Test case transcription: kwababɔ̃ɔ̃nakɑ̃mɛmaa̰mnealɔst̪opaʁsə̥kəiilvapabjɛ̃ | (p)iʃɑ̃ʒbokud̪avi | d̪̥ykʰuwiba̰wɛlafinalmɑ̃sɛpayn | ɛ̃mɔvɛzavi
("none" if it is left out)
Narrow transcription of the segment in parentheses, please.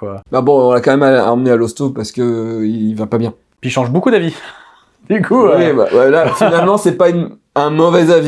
p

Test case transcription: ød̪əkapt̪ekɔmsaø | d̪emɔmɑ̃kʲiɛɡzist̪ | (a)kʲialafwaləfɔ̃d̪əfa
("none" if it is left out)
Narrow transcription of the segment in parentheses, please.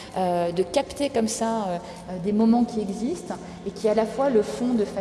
e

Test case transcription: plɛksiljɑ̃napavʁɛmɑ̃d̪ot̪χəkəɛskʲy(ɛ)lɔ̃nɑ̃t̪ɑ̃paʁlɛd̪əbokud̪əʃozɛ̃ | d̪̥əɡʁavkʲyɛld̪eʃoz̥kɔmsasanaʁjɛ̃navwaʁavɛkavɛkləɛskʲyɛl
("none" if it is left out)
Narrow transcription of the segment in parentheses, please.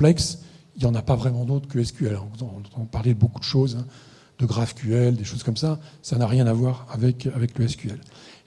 ɛ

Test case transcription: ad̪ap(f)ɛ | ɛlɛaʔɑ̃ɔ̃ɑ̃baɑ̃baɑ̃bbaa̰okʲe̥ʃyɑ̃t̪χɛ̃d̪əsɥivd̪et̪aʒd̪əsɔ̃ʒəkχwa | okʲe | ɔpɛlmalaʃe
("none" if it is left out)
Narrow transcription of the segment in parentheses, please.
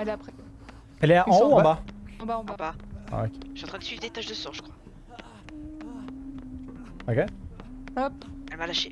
χ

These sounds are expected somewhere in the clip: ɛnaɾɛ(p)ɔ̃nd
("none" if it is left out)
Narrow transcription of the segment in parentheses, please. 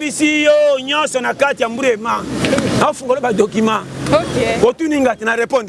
p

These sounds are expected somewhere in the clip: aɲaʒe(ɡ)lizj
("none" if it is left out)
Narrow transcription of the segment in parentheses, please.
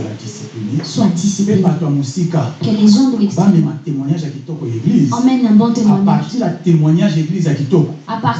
ɡ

